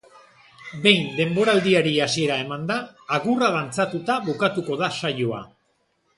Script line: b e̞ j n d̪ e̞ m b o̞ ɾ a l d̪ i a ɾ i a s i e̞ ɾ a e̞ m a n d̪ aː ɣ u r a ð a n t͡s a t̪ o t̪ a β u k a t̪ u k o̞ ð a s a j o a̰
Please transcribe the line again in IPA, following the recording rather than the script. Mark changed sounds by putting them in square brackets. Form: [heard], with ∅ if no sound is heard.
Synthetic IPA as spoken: b e̞ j n d̪ e̞ m b o̞ ɾ a l d̪ i a ɾ i a s i e̞ ɾ a e̞ m a n d̪ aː ɣ u r a ð a n t͡s a t̪ [u] t̪ a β u k a t̪ u k o̞ ð a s a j o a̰